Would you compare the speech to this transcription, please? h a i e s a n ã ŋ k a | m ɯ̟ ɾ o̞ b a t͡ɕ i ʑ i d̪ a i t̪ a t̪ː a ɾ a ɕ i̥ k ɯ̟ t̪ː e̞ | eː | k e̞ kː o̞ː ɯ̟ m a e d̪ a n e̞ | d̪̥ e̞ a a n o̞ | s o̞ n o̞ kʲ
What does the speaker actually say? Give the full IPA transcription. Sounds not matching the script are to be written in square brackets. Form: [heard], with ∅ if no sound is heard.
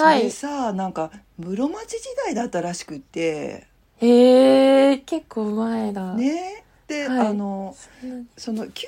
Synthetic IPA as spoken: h a i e s a n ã ŋ k a | m ɯ̟ ɾ o̞ [m] a t͡ɕ i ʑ i d̪ a i [d̪] a t̪ː a ɾ a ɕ i̥ k ɯ̟ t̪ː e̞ | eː | k e̞ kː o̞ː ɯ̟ m a e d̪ a n e̞ | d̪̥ e̞ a a n o̞ | s o̞ n o̞ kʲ